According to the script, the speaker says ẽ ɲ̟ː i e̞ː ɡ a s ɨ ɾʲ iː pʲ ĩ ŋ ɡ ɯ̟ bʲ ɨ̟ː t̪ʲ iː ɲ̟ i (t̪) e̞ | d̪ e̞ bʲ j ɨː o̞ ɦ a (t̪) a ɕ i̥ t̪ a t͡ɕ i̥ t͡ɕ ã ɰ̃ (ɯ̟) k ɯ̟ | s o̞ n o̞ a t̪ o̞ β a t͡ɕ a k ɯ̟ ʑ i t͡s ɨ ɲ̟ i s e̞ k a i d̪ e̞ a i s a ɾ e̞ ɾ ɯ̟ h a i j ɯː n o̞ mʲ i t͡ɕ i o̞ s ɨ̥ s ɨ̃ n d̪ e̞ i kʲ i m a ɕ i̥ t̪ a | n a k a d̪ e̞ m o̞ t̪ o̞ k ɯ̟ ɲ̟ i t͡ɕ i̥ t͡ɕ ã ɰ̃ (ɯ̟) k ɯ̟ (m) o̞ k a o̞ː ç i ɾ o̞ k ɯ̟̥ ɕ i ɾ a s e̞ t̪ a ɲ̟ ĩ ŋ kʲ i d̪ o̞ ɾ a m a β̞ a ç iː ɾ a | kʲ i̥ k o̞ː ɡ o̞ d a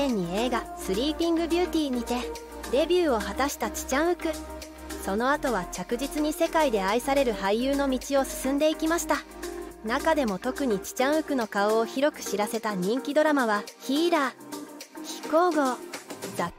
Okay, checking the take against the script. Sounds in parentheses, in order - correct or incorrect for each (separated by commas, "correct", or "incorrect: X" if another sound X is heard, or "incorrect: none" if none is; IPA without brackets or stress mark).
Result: correct, correct, correct, correct, incorrect: n